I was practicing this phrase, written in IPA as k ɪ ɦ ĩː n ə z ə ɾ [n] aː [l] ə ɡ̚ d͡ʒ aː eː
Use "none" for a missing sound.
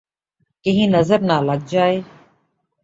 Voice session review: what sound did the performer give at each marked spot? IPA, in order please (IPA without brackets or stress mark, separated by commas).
n, l